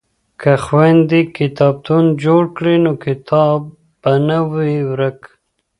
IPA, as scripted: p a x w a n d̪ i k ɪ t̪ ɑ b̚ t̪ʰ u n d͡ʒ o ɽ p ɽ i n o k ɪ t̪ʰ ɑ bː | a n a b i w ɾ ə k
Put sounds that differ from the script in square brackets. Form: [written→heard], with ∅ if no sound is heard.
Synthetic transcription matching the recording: [p→k] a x w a n d̪ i k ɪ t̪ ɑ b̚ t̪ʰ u n d͡ʒ o ɽ [p→k] ɽ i n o k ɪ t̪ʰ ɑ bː | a n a [b→w] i w ɾ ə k